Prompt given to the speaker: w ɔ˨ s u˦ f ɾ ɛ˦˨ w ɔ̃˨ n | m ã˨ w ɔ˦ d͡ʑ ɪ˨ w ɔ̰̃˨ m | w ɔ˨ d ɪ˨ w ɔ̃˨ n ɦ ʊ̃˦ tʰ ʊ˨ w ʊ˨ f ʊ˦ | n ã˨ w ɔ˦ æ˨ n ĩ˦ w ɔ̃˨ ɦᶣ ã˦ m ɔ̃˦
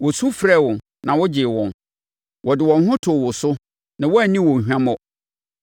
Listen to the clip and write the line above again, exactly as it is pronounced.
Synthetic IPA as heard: w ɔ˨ s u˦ f ɾ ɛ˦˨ w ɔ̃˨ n | n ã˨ w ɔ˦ d͡ʑ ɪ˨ w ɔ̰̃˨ n | w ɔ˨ d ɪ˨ w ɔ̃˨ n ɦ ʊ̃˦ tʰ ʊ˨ w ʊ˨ s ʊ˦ | n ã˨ w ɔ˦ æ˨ n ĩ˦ w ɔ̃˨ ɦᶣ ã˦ m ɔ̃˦